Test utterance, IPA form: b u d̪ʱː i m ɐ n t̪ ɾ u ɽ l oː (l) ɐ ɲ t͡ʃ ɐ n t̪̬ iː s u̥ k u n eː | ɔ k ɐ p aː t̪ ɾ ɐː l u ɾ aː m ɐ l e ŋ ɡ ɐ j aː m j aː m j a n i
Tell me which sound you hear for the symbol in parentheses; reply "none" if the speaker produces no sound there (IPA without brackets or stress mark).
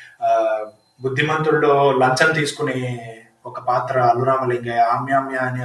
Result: l